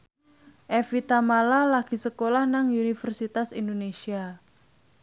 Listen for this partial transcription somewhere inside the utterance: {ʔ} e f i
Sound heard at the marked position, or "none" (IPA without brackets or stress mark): ʔ